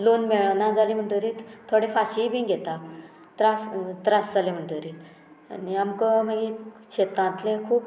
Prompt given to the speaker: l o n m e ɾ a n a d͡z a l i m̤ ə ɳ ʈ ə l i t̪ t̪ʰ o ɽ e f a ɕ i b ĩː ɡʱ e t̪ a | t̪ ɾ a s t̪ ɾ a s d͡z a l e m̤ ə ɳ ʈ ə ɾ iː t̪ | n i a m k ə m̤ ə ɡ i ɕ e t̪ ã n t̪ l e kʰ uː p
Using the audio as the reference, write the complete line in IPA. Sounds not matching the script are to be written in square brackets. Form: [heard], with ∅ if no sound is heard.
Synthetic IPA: l o n m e [ɭ] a n a d͡z a l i m̤ ə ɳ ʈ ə [ɾ] i t̪ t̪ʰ o ɽ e f a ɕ i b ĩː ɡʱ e t̪ a | t̪ ɾ a s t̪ ɾ a s d͡z a l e m̤ ə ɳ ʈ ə ɾ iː t̪ | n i a m k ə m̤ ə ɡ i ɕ e t̪ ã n t̪ l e kʰ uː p